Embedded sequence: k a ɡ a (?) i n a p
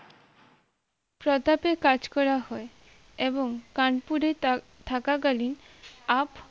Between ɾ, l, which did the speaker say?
l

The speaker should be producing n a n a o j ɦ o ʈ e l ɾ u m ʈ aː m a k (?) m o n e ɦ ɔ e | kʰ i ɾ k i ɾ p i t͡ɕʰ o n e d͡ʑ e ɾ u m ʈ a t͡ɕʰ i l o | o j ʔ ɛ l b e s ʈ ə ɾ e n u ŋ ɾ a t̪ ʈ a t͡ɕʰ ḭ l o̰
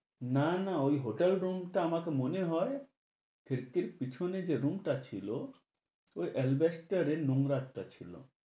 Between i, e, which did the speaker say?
e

